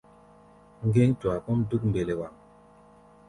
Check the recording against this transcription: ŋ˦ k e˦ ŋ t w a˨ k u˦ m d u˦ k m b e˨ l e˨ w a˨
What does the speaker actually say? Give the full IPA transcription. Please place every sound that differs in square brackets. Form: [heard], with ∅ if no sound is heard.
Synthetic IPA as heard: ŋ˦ [ɡ] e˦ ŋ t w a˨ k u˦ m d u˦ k m b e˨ l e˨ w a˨